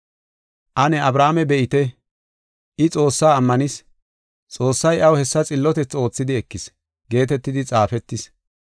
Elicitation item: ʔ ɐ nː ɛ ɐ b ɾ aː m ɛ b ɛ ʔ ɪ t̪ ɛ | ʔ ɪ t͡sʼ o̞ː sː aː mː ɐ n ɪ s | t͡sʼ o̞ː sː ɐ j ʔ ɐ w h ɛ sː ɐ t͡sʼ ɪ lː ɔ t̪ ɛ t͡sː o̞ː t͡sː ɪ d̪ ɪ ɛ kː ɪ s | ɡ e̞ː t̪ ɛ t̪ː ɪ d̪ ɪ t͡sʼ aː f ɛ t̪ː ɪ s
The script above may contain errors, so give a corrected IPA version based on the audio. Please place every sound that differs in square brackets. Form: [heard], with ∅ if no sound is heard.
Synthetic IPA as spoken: ʔ ɐ [n] ɛ ɐ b ɾ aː m ɛ b ɛ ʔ ɪ t̪ ɛ | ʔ ɪ t͡sʼ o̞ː sː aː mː ɐ n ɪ s | t͡sʼ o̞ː sː ɐ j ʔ ɐ w h ɛ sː ɐ t͡sʼ ɪ lː ɔ t̪ ɛ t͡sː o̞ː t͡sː ɪ d̪ ɪ ɛ kː ɪ s | ɡ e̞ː t̪ ɛ t̪ː ɪ d̪ ɪ t͡sʼ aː f ɛ t̪ː ɪ s

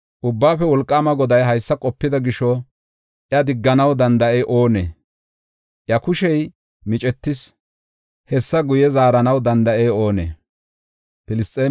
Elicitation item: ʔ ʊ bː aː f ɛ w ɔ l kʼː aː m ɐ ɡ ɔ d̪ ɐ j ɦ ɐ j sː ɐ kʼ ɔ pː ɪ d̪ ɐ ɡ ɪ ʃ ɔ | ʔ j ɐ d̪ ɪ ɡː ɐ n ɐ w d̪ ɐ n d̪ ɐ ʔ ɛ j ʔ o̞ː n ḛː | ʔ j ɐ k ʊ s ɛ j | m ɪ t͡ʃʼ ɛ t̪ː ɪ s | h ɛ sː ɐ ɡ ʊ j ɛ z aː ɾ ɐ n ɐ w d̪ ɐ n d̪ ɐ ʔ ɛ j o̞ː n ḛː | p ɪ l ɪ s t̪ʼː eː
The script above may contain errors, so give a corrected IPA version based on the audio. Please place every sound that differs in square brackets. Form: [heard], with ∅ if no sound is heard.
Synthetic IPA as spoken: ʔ ʊ bː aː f ɛ w ɔ l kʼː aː m ɐ ɡ ɔ d̪ ɐ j ɦ ɐ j sː ɐ kʼ ɔ pː ɪ d̪ ɐ ɡ ɪ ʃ ɔ | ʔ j ɐ d̪ ɪ ɡː ɐ n ɐ w d̪ ɐ n d̪ ɐ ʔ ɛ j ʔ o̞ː n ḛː | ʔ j ɐ k ʊ [ʃ] ɛ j | m ɪ t͡ʃʼ ɛ t̪ː ɪ s | h ɛ sː ɐ ɡ ʊ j ɛ z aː ɾ ɐ n ɐ w d̪ ɐ n d̪ ɐ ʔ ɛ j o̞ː n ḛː | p ɪ l ɪ s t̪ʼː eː

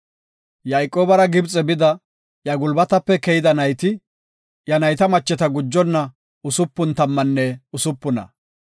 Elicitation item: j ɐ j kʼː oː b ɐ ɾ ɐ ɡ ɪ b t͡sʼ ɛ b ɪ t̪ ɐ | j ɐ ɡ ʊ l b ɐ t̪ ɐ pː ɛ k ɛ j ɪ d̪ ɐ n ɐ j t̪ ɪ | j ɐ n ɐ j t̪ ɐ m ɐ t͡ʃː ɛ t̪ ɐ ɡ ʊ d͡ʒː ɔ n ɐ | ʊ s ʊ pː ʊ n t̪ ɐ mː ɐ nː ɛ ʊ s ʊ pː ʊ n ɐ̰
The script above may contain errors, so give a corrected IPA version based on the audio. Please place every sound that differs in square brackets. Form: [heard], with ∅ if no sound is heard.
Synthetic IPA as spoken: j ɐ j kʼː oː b ɐ ɾ ɐ ɡ ɪ b t͡sʼ ɛ b ɪ [d̪] ɐ | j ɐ ɡ ʊ l b ɐ t̪ ɐ pː ɛ k ɛ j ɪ d̪ ɐ n ɐ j t̪ ɪ | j ɐ n ɐ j t̪ ɐ m ɐ t͡ʃː ɛ t̪ ɐ ɡ ʊ d͡ʒː ɔ [nː] ɐ | ʊ s ʊ pː ʊ n t̪ ɐ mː ɐ nː ɛ ʊ s ʊ pː ʊ n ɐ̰

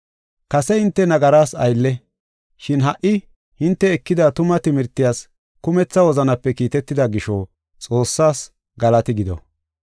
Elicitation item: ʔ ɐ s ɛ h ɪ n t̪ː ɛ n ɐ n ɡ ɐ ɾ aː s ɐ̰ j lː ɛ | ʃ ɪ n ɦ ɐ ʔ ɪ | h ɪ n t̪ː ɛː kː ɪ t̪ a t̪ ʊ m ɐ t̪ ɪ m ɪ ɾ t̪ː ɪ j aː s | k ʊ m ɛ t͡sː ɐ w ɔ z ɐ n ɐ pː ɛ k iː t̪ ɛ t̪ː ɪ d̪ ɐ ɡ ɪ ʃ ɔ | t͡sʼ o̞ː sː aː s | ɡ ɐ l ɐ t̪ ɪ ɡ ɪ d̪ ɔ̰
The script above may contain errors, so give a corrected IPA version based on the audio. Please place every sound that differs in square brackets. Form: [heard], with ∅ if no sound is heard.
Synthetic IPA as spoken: [k] ɐ s ɛ h ɪ n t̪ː ɛ n ɐ [∅] ɡ ɐ ɾ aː s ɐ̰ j lː ɛ | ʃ ɪ n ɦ ɐ ʔ ɪ | h ɪ n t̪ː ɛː kː ɪ [d̪] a t̪ ʊ m ɐ t̪ ɪ m ɪ ɾ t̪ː ɪ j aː s | k ʊ m ɛ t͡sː ɐ w ɔ z ɐ n ɐ pː ɛ k iː t̪ ɛ t̪ː ɪ d̪ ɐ ɡ ɪ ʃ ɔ | t͡sʼ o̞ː sː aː s | ɡ ɐ l ɐ t̪ ɪ ɡ ɪ d̪ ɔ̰

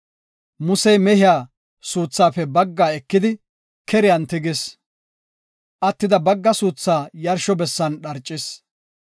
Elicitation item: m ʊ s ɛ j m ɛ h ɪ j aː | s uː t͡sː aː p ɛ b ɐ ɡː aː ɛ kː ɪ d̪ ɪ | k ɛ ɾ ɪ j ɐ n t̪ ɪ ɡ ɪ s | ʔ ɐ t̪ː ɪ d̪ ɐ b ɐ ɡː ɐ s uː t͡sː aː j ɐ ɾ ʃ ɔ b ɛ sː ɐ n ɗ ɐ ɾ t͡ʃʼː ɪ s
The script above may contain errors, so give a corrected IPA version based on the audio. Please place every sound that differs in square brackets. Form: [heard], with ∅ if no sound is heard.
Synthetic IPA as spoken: m ʊ s ɛ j m ɛ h ɪ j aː | s uː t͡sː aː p ɛ b ɐ ɡː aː ɛ kː ɪ d̪ ɪ | k ɛ ɾ ɪ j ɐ n t̪ ɪ ɡ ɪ s | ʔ ɐ t̪ː ɪ d̪ ɐ b ɐ ɡː ɐ s uː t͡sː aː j ɐ ɾ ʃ ɔ b ɛ sː ɐ n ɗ ɐ ɾ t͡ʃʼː ɪ s

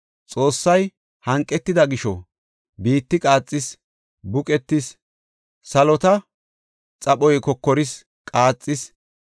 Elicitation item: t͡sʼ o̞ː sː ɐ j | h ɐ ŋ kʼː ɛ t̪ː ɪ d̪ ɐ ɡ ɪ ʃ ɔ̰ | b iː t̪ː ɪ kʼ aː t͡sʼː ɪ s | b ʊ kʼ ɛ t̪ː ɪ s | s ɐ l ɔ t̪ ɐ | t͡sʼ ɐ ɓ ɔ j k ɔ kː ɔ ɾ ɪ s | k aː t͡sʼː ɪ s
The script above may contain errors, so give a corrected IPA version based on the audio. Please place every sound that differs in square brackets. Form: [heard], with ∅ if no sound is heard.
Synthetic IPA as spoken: t͡sʼ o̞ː sː ɐ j | h ɐ ŋ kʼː ɛ t̪ː ɪ d̪ ɐ ɡ ɪ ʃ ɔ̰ | b iː t̪ː ɪ kʼ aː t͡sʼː ɪ s | b ʊ kʼ ɛ t̪ː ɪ s | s ɐ l ɔ t̪ ɐ | t͡sʼ ɐ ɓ ɔ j k ɔ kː ɔ ɾ ɪ s | [kʼ] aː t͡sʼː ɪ s

